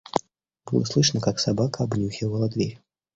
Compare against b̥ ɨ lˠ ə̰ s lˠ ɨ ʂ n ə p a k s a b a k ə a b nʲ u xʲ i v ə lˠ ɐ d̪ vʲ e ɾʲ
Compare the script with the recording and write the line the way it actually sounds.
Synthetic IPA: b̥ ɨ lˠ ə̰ s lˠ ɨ ʂ n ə k a k s a b a k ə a b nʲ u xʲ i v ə lˠ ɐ d̪ vʲ e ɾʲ